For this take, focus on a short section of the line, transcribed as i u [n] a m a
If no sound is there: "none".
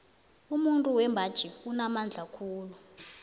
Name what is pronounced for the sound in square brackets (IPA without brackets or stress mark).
n